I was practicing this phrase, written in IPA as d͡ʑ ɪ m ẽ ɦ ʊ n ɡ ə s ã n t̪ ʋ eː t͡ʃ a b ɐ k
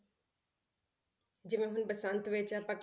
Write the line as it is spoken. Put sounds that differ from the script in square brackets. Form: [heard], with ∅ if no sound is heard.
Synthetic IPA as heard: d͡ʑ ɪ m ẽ ɦ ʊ n [b] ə s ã n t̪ ʋ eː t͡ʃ a [p] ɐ k